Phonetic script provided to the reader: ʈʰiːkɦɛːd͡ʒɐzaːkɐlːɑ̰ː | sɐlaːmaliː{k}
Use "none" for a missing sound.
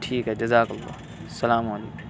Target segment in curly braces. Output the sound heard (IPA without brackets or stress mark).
k